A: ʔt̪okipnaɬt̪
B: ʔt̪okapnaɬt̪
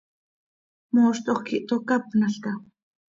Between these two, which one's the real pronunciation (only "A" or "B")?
B